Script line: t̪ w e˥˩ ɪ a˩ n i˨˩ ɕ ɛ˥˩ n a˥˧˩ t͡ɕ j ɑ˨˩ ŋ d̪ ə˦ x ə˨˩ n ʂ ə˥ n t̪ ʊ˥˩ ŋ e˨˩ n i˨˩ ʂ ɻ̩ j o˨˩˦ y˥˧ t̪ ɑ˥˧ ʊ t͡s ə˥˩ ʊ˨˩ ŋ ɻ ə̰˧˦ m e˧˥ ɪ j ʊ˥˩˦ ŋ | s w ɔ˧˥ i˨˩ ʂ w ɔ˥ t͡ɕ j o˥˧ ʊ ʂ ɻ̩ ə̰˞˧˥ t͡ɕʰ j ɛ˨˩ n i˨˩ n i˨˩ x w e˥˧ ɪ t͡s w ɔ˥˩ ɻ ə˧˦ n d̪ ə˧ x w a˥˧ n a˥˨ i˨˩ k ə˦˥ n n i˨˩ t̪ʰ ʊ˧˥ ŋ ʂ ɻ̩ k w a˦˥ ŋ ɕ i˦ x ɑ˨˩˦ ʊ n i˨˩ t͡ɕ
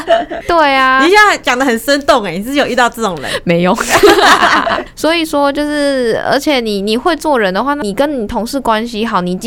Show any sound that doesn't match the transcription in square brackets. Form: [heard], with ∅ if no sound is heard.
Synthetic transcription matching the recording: t̪ w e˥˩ ɪ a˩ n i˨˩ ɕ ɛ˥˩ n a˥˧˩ t͡ɕ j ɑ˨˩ ŋ d̪ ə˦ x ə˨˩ n ʂ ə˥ n t̪ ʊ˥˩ ŋ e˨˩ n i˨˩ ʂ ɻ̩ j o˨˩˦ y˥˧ t̪ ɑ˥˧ ʊ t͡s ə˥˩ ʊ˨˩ ŋ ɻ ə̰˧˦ m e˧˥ ɪ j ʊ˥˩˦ ŋ | s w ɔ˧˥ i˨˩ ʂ w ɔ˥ t͡ɕ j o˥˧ ʊ ʂ ɻ̩ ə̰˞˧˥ t͡ɕʰ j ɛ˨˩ n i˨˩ n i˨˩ x w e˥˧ ɪ t͡s w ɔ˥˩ ɻ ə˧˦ n d̪ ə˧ x w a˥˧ n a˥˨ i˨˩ k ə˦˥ n n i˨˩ t̪ʰ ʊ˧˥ ŋ ʂ ɻ̩ k w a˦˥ [n] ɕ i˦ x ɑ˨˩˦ ʊ n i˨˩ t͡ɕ